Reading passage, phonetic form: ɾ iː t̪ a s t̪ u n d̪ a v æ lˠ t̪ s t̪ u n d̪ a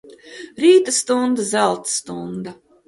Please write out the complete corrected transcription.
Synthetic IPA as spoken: ɾ iː t̪ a s t̪ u n d̪ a z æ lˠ t̪ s t̪ u n d̪ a